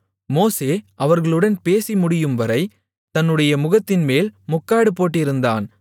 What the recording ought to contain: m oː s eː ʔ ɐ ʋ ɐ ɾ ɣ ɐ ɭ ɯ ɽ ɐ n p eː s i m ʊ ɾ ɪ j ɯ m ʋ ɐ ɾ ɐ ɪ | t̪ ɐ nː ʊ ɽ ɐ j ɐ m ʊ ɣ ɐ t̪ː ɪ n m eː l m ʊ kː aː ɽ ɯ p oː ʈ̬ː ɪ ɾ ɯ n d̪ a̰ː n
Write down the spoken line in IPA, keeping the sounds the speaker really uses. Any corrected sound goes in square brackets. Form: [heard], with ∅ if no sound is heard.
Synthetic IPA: m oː s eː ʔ ɐ ʋ ɐ ɾ ɣ ɐ ɭ ɯ ɽ ɐ n p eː s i m ʊ [ɽ] ɪ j ɯ m ʋ ɐ ɾ ɐ ɪ | t̪ ɐ nː [ɯ] ɽ ɐ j ɐ m ʊ ɣ ɐ t̪ː ɪ n m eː l m ʊ kː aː ɽ ɯ p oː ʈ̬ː ɪ ɾ ɯ n d̪ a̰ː n

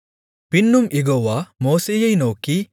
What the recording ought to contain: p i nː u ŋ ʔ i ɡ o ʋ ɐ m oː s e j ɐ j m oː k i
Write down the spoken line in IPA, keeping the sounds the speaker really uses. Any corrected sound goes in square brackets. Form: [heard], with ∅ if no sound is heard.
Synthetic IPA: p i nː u [m] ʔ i ɡ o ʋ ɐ m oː s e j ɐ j [n] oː k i

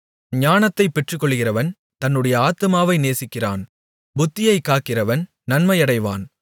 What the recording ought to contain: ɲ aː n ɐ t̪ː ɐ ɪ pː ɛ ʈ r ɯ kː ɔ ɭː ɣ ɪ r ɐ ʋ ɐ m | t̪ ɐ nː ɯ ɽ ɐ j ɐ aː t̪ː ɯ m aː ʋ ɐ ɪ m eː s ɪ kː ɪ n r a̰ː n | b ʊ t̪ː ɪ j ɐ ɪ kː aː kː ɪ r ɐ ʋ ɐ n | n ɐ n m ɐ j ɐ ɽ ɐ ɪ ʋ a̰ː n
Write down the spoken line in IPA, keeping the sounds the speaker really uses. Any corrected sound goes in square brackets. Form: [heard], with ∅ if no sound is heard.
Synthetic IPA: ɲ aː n ɐ t̪ː ɐ ɪ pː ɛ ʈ r ɯ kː ɔ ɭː ɣ ɪ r ɐ ʋ ɐ [n] | t̪ ɐ nː ɯ ɽ ɐ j ɐ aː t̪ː ɯ m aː ʋ ɐ ɪ [n] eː s ɪ kː ɪ [∅] r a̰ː n | b ʊ t̪ː ɪ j ɐ ɪ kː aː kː ɪ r ɐ ʋ ɐ n | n ɐ n m ɐ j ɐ ɽ ɐ ɪ ʋ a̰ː n

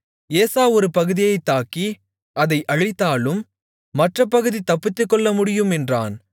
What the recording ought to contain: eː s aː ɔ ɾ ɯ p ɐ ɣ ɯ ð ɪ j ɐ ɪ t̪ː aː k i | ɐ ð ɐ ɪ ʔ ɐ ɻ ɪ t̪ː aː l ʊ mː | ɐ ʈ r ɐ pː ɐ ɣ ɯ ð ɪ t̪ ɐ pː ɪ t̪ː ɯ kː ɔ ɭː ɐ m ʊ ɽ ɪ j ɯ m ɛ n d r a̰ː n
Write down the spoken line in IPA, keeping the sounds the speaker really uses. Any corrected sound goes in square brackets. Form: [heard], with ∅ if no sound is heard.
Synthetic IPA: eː s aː ɔ ɾ ɯ p ɐ ɣ ɯ ð ɪ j ɐ ɪ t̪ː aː k i | ɐ ð ɐ ɪ ʔ ɐ ɻ ɪ t̪ː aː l [ɯ] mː | ɐ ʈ r ɐ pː ɐ ɣ ɯ ð [i] t̪ ɐ pː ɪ t̪ː ɯ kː ɔ ɭː ɐ m ʊ ɽ ɪ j ɯ m ɛ n d r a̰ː n

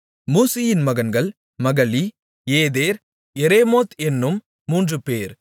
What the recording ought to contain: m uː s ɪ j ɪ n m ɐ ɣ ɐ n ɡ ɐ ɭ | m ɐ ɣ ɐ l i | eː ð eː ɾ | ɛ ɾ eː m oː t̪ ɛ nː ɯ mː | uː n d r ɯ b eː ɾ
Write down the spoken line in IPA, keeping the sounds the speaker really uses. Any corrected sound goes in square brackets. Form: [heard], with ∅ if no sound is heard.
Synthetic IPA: m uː s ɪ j ɪ n m ɐ ɣ ɐ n ɡ ɐ ɭ | m ɐ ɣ ɐ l i | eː ð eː ɾ | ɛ ɾ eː m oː t̪ ɛ nː ɯ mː | uː n d r ɯ [p] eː ɾ

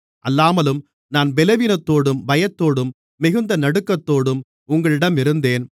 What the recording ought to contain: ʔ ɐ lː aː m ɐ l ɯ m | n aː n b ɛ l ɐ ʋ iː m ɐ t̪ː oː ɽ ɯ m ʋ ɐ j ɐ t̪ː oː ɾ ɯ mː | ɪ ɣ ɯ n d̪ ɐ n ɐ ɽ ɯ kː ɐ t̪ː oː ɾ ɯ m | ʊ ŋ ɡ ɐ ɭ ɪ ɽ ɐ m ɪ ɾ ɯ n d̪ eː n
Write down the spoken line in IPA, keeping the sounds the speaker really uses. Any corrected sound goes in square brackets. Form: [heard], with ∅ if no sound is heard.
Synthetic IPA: ʔ ɐ lː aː m ɐ l ɯ m | n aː n b ɛ l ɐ ʋ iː [n] ɐ t̪ː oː ɽ ɯ m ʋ ɐ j ɐ t̪ː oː [ɽ] ɯ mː | ɪ ɣ ɯ n d̪ ɐ n ɐ ɽ ɯ kː ɐ t̪ː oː [ɽ] ɯ m | ʊ ŋ ɡ ɐ ɭ ɪ ɽ ɐ m ɪ ɾ ɯ n d̪ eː n

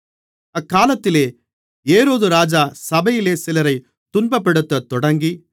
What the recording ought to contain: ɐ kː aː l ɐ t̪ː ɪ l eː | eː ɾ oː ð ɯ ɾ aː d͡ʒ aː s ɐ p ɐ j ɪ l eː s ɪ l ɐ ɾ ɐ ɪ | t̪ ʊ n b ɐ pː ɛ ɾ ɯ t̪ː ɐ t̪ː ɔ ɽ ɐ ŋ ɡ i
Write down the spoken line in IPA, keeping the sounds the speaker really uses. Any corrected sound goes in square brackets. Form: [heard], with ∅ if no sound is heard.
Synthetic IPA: ɐ kː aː l ɐ t̪ː ɪ l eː | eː ɾ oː ð ɯ ɾ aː d͡ʒ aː s ɐ [b] ɐ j ɪ l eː s ɪ l ɐ ɾ ɐ ɪ | t̪ ʊ n b ɐ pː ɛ [ɽ] ɯ t̪ː ɐ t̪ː ɔ ɽ ɐ ŋ ɡ i

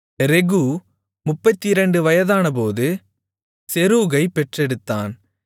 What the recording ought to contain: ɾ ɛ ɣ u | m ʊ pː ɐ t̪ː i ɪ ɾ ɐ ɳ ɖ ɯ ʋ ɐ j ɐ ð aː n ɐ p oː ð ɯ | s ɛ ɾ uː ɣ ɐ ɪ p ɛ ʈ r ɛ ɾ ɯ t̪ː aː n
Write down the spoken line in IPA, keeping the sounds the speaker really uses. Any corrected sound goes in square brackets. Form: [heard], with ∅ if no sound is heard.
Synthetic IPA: ɾ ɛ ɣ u | m ʊ pː ɐ t̪ː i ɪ ɾ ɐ ɳ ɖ ɯ ʋ ɐ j ɐ ð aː n ɐ p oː ð ɯ | s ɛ ɾ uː ɣ ɐ ɪ p ɛ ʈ r ɛ [ɽ] ɯ t̪ː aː n

